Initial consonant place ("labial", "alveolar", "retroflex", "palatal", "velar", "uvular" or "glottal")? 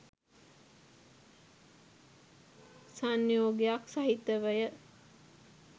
alveolar